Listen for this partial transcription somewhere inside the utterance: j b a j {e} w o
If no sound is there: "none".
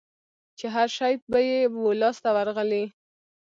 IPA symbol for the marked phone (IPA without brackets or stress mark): e